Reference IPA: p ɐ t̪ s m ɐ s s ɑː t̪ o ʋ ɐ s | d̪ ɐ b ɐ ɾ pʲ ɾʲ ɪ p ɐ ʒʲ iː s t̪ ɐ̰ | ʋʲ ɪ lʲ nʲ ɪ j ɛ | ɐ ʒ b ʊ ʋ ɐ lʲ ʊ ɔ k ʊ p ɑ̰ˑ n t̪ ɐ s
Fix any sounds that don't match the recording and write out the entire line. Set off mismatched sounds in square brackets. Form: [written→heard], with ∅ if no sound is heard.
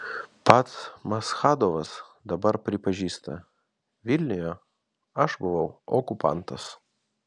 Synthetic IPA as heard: p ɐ t̪ s m ɐ s [s→x] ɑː [t̪→d̪] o ʋ ɐ s | d̪ ɐ b ɐ ɾ pʲ ɾʲ ɪ p ɐ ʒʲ iː s t̪ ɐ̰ | ʋʲ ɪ lʲ nʲ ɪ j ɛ | ɐ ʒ b ʊ ʋ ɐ [lʲ→∅] ʊ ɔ k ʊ p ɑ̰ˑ n t̪ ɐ s